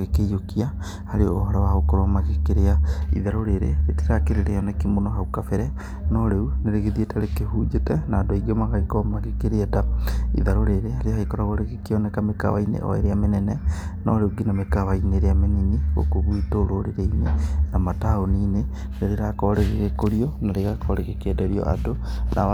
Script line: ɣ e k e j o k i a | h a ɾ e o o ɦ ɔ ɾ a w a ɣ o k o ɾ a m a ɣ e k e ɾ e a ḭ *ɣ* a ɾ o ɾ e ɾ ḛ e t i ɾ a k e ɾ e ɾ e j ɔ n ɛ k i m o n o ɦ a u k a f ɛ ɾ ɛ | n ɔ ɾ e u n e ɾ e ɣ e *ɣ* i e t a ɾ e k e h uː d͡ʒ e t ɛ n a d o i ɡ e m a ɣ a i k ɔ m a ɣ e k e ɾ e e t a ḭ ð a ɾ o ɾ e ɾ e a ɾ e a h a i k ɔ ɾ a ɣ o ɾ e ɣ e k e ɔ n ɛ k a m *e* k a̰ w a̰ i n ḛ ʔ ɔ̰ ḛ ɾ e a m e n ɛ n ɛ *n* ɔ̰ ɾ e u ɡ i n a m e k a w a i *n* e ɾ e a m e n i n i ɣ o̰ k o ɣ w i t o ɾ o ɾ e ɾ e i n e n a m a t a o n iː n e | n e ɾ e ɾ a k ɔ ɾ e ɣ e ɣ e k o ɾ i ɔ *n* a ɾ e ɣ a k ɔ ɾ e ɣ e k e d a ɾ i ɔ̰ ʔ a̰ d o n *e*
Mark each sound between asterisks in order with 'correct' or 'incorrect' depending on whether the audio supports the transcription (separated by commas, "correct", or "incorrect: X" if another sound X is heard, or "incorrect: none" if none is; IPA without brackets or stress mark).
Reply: incorrect: ð, incorrect: ð, correct, correct, correct, correct, incorrect: a